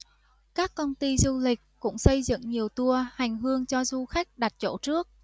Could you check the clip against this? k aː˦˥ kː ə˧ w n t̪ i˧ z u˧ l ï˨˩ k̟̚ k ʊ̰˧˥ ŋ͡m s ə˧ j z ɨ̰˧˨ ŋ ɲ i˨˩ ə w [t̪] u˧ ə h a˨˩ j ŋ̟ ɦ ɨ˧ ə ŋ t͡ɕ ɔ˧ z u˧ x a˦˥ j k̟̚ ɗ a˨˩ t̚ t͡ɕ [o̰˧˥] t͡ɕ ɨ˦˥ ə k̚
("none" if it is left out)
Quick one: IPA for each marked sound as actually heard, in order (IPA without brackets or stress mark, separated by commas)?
t̪, o̰˧˥